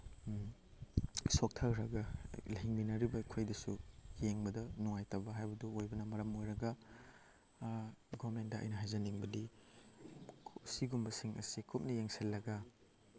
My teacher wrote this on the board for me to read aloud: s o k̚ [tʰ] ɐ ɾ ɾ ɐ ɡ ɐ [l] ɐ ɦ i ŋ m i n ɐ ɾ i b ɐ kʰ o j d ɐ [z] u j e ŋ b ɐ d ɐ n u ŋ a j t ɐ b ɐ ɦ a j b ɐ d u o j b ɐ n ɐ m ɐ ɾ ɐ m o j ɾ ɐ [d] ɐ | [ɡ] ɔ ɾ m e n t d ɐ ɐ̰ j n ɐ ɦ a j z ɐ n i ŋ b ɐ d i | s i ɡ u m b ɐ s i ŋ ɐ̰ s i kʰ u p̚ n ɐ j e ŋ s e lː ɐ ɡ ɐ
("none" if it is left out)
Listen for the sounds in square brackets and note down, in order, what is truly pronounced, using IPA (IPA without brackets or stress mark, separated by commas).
tʰ, l, s, ɡ, ɡ